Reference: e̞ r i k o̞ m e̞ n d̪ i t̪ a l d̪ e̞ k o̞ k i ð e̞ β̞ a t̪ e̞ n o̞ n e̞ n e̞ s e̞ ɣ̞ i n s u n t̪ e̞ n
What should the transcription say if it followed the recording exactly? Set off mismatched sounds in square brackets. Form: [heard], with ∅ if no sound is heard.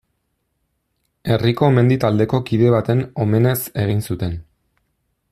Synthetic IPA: e̞ r i k o̞ m e̞ n d̪ i t̪ a l d̪ e̞ k o̞ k i ð e̞ β̞ a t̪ e̞ n o̞ [m] e̞ n e̞ s e̞ ɣ̞ i n s u [∅] t̪ e̞ n

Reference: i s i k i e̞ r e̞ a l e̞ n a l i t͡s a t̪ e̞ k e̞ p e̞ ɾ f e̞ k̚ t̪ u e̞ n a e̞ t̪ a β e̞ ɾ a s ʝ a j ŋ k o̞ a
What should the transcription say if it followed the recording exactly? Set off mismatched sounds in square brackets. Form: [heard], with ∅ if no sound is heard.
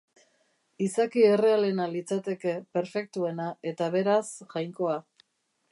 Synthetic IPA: i s [a] k i e̞ r e̞ a l e̞ n a l i t͡s a t̪ e̞ k e̞ p e̞ ɾ f e̞ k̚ t̪ u e̞ n a e̞ t̪ a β e̞ ɾ a s ʝ a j ŋ k o̞ a

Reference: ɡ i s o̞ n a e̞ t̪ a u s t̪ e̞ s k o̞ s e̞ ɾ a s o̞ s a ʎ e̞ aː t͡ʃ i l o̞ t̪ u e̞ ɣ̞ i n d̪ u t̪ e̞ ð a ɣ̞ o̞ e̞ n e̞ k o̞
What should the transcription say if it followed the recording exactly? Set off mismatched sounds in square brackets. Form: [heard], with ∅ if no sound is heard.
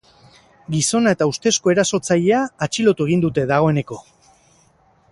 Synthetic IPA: ɡ i s o̞ n a e̞ t̪ a u s t̪ e̞ s k o̞ [∅] e̞ ɾ a s o̞ [t͡s] a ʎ e̞ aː t͡ʃ i l o̞ t̪ u e̞ ɣ̞ i n d̪ u t̪ e̞ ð a ɣ̞ o̞ e̞ n e̞ k o̞

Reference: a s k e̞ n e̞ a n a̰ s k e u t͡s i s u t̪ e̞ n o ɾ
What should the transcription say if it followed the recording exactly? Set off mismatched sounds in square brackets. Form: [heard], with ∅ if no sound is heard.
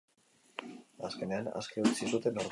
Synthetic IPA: a s k e̞ n e̞ a n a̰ s k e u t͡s i s u t̪ e̞ n o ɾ

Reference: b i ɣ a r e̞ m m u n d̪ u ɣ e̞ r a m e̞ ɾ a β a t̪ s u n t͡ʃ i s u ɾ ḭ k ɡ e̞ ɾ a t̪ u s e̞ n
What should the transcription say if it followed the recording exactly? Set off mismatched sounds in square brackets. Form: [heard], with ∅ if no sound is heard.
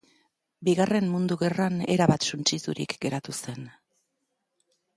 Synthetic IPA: b i ɣ a r e̞ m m u n d̪ u ɣ e̞ r a [n] e̞ ɾ a β a t̪ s u n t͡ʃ i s u ɾ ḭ k ɡ e̞ ɾ a t̪ u s e̞ n

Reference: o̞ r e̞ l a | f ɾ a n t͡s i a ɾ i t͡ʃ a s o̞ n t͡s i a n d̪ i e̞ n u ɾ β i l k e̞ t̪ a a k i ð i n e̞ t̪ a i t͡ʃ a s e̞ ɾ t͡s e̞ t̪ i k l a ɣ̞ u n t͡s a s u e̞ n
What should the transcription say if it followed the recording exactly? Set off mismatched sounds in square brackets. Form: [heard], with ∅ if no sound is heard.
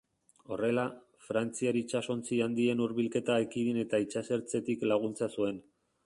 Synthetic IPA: o̞ r e̞ l a | f ɾ a n t͡s i a ɾ i t͡ʃ a s o̞ n t͡s i a n d̪ i e̞ n u ɾ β i l k e̞ t̪ a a k i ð i n e̞ t̪ a i t͡ʃ a s e̞ ɾ t͡s e̞ t̪ i k l a ɣ̞ u n t͡s a s u e̞ n

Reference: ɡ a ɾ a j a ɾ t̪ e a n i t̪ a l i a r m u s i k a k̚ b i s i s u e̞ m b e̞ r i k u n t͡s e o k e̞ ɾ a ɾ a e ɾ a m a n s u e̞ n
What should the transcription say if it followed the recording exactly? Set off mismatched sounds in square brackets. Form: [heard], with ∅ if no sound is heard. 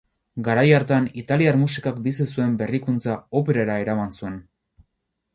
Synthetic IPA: ɡ a ɾ a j a ɾ t̪ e a n i t̪ a l i a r m u s i k a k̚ b i s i s u e̞ m b e̞ r i k u n t͡s [a] o [p] e̞ ɾ a ɾ a e ɾ a m a n s u e̞ n

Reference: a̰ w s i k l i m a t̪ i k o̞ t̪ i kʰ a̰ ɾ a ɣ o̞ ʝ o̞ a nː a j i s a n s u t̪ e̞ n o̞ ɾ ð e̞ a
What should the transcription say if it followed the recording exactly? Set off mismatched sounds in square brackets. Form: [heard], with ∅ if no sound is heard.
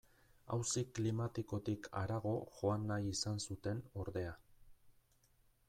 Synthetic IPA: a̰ w s i k l i m a t̪ i k o̞ t̪ i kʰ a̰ ɾ a ɣ o̞ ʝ o̞ a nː a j i s a n s u t̪ e̞ n o̞ ɾ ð e̞ a

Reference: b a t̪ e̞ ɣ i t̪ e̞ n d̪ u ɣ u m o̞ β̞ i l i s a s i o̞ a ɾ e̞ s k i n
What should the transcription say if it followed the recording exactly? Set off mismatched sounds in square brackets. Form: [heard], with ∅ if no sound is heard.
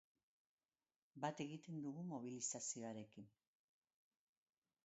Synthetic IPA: b a t̪ e̞ ɣ i t̪ e̞ n d̪ u ɣ u m o̞ β̞ i l i s a s i o̞ a ɾ e̞ [∅] k i n

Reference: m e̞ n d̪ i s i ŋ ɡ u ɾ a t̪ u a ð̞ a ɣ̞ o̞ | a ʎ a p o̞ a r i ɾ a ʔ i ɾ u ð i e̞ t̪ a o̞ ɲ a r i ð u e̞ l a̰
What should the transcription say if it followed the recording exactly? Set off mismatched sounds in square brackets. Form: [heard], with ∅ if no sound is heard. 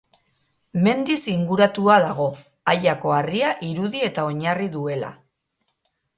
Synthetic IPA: m e̞ n d̪ i s i ŋ ɡ u ɾ a t̪ u a ð̞ a ɣ̞ o̞ | a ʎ a [k] o̞ a r i [∅] a ʔ i ɾ u ð i e̞ t̪ a o̞ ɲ a r i ð u e̞ l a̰

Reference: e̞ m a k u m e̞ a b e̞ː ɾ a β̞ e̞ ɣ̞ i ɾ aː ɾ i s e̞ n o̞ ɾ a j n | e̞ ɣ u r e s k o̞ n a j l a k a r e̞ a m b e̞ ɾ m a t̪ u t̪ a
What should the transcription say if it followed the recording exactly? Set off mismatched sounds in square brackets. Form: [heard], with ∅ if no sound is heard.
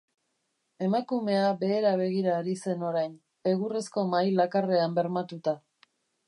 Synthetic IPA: e̞ m a k u m e̞ a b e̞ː ɾ a β̞ e̞ ɣ̞ i ɾ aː ɾ i s e̞ n o̞ ɾ a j n | e̞ ɣ u r e s k o̞ [m] a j l a k a r e̞ a m b e̞ ɾ m a t̪ u t̪ a

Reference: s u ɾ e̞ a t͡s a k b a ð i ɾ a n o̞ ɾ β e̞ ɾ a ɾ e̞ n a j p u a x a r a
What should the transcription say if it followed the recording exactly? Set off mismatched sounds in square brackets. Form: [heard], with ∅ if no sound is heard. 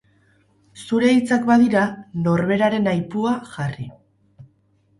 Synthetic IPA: s u ɾ e̞ [i] t͡s a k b a ð i ɾ a n o̞ ɾ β e̞ ɾ a ɾ e̞ n a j p u a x a r [i]

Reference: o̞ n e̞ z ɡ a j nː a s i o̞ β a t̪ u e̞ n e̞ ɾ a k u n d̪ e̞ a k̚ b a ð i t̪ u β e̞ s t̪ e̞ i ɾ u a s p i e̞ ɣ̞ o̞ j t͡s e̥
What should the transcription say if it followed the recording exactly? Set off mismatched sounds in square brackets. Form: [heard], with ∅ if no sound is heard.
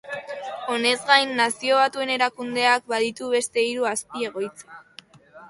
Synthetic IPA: o̞ n e̞ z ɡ a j nː a s i o̞ β a t̪ u e̞ n e̞ ɾ a k u n d̪ e̞ a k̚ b a ð i t̪ u β e̞ s t̪ e̞ i ɾ u a s p i e̞ ɣ̞ o̞ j t͡s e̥

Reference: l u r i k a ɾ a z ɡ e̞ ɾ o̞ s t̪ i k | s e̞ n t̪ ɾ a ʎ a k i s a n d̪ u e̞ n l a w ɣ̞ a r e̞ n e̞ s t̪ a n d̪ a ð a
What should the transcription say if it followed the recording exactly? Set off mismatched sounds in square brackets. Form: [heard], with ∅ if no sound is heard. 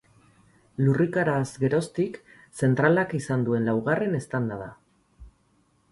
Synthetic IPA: l u r i k a ɾ a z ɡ e̞ ɾ o̞ s t̪ i k | s e̞ n t̪ ɾ a [l] a k i s a n d̪ u e̞ n l a w ɣ̞ a r e̞ n e̞ s t̪ a n d̪ a ð a

